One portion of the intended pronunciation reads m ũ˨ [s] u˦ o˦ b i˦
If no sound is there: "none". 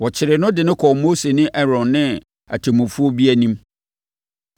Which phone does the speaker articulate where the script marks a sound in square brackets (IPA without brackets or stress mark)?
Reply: f